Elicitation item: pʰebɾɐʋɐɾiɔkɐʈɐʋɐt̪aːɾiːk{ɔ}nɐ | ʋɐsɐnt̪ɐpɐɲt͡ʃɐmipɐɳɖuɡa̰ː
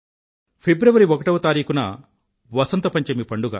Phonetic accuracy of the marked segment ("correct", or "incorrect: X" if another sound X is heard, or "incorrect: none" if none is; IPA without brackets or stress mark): incorrect: u